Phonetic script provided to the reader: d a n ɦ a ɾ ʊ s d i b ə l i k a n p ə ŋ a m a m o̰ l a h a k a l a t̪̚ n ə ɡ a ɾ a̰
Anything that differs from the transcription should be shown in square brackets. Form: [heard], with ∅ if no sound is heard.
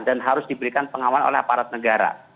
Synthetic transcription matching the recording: d a n ɦ a ɾ ʊ s d i b ə [ɾ] i k a n p ə ŋ a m a [n] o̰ l [ɛ] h a [p] a [ɾ] a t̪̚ n ə ɡ a ɾ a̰

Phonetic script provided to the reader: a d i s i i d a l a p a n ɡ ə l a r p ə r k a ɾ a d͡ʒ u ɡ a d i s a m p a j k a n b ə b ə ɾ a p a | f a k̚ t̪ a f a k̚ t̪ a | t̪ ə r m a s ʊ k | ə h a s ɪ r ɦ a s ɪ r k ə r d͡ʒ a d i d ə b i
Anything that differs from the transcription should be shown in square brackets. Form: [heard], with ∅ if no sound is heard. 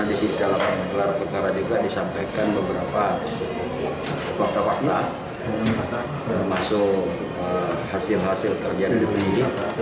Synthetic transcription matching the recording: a d i s i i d a l a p a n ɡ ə l a r p ə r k a ɾ a d͡ʒ u ɡ a d i s a m p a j k a n b ə b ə ɾ a p a | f a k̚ t̪ a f a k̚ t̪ a | t̪ ə r m a s ʊ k | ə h a s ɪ [l] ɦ a s ɪ [l] k ə r d͡ʒ a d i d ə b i

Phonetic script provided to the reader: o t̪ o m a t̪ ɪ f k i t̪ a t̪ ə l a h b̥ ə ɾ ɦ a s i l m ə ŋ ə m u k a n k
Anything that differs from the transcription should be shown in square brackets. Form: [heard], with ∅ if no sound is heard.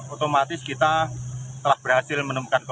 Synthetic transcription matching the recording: o t̪ o m a t̪ ɪ [s] k i t̪ a t̪ ə l a h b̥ ə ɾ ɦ a s [ɪ] l m ə [n] ə m u k a n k

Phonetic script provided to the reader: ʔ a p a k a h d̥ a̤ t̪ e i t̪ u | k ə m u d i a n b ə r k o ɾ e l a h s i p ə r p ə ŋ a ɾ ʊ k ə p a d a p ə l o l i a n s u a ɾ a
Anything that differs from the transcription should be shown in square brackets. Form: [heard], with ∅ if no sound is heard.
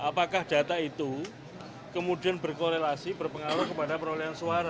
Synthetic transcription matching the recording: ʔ a p a k a h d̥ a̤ t̪ [a] i t̪ u | k ə m u d i a n b ə r k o ɾ e l a [∅] s i [b] ə r p ə ŋ a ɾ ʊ k ə p a d a p ə [ɾ] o l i a n s u a ɾ a

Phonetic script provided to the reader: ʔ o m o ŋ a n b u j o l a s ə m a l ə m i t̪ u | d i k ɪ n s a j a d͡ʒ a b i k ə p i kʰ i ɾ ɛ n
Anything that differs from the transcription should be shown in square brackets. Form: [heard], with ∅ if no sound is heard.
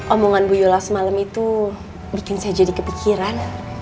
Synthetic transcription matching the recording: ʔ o m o ŋ a n b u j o l a s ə m a l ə m i t̪ u | [b] i k ɪ n s a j a d͡ʒ a [d] i k ə p i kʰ i ɾ [a] n

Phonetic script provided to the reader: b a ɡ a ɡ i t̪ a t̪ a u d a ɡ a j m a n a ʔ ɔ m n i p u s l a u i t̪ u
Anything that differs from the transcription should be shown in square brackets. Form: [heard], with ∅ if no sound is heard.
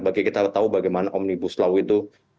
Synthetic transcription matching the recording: b a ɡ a [k] i t̪ a t̪ a u [b] a ɡ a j m a n a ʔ ɔ m n i [b] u s l a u i t̪ u

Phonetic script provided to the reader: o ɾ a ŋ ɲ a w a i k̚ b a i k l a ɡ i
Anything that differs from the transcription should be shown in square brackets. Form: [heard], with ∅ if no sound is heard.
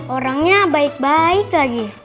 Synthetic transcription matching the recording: o ɾ a ŋ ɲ a [b] a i k̚ b a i k l a ɡ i

